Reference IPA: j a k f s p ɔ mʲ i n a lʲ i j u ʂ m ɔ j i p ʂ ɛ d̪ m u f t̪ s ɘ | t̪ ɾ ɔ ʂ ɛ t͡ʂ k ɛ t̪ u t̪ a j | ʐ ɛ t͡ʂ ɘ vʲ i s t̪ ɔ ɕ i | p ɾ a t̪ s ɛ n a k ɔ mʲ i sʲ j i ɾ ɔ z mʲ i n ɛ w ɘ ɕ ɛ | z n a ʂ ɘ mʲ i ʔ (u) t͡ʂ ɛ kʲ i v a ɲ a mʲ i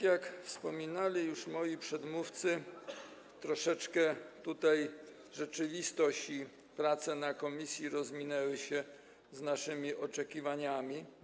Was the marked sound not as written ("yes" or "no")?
yes